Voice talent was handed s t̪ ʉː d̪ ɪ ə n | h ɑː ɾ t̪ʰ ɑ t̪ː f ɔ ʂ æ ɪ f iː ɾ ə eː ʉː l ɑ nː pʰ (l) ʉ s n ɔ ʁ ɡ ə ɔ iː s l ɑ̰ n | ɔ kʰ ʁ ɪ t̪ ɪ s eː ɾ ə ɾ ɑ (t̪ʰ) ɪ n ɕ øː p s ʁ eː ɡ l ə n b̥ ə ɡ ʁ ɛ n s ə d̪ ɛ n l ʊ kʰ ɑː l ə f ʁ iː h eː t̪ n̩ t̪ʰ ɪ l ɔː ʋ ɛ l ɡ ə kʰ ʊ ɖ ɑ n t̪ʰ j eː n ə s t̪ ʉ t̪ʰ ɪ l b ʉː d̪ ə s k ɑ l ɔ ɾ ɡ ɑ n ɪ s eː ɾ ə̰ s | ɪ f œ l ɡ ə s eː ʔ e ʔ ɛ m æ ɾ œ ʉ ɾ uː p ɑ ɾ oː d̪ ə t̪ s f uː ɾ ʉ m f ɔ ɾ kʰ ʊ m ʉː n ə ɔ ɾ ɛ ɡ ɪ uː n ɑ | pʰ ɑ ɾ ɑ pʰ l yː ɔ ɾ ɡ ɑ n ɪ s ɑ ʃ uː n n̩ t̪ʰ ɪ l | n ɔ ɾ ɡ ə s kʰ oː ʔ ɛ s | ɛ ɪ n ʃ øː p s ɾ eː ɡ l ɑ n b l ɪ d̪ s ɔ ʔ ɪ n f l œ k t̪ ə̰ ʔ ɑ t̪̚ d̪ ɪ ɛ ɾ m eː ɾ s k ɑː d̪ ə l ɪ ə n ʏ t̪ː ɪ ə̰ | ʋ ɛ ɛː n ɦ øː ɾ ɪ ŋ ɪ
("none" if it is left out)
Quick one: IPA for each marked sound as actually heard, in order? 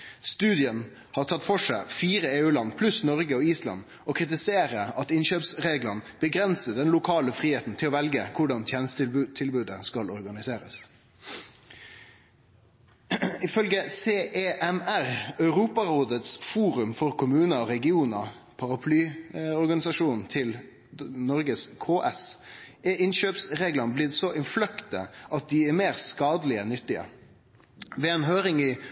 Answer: l, t̪

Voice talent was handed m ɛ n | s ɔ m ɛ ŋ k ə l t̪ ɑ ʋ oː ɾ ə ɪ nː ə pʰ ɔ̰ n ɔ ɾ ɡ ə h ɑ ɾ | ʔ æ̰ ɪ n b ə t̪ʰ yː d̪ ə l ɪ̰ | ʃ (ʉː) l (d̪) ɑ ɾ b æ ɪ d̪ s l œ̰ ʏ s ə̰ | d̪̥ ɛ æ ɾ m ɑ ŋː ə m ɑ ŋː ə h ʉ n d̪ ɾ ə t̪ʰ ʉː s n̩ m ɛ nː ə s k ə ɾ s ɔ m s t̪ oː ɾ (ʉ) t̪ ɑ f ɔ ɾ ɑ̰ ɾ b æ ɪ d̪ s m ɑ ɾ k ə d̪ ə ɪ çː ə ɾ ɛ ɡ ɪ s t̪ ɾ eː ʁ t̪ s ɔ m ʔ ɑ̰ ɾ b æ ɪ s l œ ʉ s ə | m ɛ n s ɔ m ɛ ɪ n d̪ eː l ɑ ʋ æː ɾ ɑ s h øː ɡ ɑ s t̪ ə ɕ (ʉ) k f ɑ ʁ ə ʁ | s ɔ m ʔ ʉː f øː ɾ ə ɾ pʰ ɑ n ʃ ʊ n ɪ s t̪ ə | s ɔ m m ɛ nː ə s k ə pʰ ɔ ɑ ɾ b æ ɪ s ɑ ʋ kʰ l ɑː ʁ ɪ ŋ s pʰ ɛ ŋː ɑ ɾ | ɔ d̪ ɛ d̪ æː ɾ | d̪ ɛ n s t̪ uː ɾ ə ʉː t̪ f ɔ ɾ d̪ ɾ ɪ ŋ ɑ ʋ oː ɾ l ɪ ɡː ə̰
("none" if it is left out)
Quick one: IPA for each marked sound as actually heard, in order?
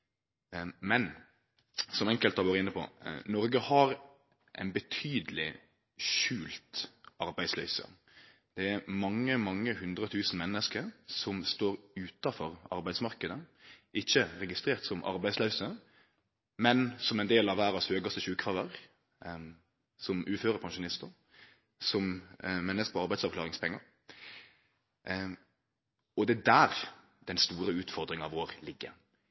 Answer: ʉː, t̪, ʉː, ʉː

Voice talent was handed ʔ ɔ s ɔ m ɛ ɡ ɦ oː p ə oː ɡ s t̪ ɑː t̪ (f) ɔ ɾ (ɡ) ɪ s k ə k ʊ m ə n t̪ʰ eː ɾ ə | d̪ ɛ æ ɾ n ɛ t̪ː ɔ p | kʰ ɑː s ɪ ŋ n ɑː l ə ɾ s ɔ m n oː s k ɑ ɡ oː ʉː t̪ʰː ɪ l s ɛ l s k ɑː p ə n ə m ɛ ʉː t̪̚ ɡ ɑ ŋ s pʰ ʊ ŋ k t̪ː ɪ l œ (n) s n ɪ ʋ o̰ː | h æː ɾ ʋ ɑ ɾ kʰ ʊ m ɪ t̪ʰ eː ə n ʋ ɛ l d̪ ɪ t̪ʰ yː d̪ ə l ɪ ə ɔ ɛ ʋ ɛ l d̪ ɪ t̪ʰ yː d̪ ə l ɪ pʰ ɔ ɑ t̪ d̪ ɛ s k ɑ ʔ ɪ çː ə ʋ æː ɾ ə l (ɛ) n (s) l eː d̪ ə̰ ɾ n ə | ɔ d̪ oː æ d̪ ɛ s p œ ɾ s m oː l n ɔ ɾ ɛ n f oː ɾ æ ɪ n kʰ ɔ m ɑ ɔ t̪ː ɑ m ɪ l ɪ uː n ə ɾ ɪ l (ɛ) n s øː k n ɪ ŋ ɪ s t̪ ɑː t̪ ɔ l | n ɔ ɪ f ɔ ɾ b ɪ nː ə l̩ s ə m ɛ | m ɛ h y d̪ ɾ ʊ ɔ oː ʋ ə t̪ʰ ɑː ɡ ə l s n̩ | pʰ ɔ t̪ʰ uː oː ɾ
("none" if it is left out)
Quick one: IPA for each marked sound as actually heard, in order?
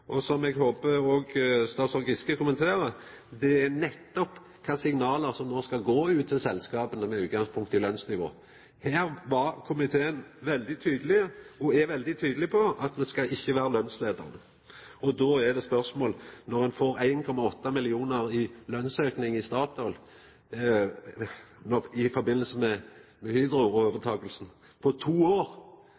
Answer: s, ɡ, n, œ, s, œ

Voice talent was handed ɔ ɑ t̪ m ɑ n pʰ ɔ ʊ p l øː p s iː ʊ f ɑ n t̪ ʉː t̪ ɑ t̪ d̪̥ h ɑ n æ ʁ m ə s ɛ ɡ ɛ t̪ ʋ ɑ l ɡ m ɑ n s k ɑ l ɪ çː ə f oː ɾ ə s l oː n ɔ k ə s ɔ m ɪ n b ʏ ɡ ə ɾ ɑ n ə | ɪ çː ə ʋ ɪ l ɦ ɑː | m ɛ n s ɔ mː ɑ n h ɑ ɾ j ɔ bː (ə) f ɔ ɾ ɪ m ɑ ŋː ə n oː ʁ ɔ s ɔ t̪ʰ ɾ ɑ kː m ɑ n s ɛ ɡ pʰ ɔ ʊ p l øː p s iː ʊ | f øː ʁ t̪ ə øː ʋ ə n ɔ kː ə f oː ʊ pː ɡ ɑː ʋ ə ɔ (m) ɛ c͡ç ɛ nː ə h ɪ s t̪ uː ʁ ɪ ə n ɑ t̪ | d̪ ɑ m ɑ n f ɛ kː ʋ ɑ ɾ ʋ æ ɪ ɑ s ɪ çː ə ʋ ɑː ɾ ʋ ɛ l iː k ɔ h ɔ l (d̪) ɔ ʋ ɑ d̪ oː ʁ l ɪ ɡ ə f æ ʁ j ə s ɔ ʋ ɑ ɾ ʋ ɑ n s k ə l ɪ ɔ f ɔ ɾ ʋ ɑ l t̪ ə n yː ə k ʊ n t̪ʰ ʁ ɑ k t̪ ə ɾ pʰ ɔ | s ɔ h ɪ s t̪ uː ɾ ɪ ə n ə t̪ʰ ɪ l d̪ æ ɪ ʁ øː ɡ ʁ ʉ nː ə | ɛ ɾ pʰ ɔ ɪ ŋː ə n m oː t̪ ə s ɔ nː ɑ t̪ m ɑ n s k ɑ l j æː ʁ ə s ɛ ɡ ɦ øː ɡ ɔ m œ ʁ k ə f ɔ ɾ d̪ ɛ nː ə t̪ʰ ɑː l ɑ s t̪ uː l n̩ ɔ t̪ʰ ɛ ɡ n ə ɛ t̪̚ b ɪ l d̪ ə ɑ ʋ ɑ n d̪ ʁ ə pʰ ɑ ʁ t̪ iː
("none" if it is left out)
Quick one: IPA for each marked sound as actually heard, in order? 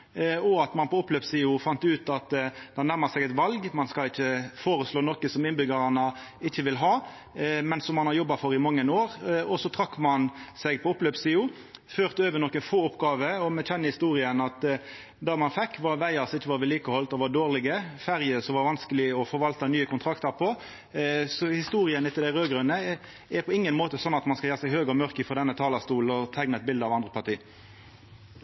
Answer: ɑ, m, t̪

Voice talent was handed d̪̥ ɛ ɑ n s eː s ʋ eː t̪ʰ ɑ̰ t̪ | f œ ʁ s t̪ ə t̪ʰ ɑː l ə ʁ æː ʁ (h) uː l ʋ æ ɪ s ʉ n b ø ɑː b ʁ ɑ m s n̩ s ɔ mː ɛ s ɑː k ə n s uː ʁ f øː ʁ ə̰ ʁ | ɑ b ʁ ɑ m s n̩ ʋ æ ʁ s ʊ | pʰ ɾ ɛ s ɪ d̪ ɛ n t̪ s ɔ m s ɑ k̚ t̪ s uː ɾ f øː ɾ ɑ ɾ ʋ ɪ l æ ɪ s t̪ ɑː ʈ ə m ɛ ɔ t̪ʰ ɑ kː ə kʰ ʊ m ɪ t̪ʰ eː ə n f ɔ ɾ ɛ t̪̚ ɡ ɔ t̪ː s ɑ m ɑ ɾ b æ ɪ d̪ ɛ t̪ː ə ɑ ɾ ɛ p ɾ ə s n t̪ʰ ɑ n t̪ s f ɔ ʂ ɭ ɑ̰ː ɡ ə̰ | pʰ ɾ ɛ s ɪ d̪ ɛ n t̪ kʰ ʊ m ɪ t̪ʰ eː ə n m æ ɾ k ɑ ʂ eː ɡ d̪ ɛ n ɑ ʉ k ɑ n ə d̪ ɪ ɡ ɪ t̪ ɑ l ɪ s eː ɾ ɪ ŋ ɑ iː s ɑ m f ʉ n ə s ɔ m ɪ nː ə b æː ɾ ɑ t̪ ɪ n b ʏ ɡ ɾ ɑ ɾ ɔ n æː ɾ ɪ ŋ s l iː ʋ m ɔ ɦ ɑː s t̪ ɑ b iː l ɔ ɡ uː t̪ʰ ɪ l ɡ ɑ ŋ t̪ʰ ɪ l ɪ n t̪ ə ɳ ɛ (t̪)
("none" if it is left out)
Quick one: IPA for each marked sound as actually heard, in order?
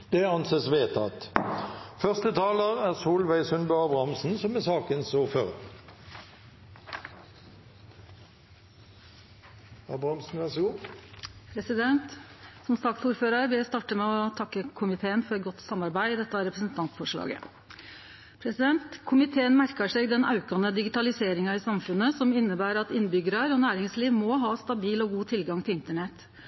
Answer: s, t̪

